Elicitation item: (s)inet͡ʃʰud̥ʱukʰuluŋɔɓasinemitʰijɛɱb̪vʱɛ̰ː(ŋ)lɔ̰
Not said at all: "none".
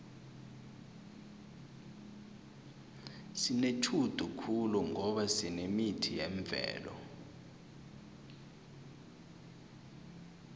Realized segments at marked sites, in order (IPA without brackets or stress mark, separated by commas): s, none